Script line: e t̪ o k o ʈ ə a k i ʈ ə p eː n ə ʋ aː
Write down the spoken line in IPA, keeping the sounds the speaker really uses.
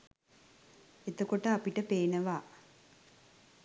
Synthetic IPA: e t̪ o k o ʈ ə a p i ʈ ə p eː n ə ʋ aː